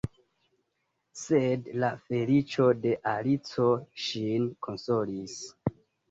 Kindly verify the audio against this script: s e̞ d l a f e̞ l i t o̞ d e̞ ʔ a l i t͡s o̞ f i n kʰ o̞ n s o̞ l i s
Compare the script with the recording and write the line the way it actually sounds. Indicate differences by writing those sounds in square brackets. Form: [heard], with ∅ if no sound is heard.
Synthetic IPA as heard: s e̞ d l a f e̞ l i [t͡ʃ] o̞ d e̞ ʔ a l i t͡s o̞ [ʃ] i n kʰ o̞ n s o̞ l i s